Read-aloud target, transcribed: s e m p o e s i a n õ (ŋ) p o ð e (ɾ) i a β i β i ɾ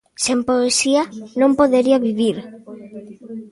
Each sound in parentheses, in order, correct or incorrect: incorrect: m, correct

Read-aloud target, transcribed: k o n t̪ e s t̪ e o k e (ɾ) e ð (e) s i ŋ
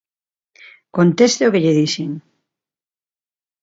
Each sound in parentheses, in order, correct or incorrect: incorrect: ʎ, incorrect: i

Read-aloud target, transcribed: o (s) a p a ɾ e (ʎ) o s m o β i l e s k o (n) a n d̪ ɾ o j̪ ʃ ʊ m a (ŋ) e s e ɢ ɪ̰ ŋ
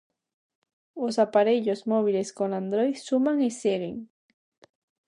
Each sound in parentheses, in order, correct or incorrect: correct, correct, correct, correct

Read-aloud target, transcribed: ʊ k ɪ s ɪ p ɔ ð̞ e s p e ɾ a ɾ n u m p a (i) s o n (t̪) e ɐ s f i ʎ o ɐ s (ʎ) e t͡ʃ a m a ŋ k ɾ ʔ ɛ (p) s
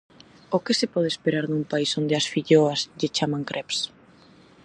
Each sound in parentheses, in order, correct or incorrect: correct, incorrect: d̪, correct, correct

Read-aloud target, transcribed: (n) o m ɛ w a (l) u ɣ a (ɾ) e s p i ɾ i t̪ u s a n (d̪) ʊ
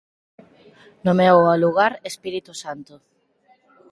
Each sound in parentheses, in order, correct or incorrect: correct, correct, correct, incorrect: t̪

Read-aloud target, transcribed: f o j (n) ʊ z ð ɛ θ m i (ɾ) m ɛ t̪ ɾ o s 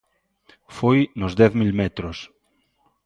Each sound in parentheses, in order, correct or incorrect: correct, incorrect: l

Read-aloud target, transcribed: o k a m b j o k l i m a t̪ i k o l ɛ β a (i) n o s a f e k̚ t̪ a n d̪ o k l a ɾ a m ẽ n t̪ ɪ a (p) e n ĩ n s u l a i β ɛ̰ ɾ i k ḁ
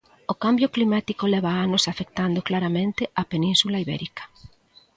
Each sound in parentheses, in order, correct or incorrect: incorrect: a, correct

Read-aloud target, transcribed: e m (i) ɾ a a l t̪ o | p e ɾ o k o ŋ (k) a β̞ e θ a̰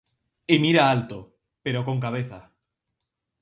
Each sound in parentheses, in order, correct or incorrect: correct, correct

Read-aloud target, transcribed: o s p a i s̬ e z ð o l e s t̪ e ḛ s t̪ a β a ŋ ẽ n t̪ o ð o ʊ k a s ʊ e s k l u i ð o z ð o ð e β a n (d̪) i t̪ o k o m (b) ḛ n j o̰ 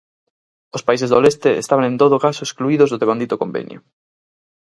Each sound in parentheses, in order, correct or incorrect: correct, correct

